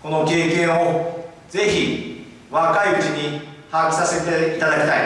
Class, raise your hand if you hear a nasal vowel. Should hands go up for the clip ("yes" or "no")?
yes